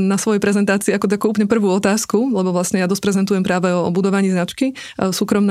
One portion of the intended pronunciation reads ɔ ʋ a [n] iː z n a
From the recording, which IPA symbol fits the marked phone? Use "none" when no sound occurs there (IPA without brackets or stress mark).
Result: ɲ